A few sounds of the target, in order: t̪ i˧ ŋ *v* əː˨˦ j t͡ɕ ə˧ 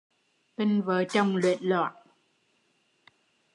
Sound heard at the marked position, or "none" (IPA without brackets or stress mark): v